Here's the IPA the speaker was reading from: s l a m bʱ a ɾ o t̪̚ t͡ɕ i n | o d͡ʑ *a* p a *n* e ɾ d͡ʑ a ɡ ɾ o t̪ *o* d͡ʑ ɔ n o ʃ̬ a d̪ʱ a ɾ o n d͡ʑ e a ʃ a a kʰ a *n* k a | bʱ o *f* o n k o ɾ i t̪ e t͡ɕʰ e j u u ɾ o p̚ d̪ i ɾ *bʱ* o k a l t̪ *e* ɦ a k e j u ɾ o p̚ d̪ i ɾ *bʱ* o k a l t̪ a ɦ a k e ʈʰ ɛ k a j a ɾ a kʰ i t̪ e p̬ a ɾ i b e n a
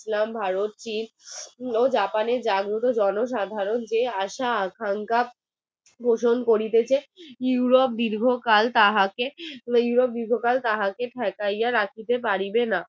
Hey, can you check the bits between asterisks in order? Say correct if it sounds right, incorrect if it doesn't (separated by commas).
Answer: correct, correct, correct, incorrect, incorrect, incorrect, incorrect, incorrect